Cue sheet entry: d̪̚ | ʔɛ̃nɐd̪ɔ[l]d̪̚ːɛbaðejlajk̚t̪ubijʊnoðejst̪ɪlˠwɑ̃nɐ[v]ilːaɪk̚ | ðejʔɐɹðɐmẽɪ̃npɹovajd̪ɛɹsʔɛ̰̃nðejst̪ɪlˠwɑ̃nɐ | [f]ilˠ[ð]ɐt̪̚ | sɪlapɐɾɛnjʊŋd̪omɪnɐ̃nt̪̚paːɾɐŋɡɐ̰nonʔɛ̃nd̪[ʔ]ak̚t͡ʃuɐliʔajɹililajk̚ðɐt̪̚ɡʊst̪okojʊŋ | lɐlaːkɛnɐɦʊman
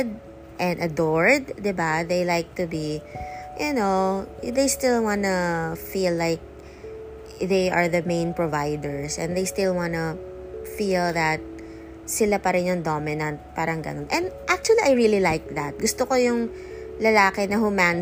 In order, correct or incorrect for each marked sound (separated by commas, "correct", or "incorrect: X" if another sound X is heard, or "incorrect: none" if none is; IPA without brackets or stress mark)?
incorrect: ɹ, incorrect: f, correct, correct, correct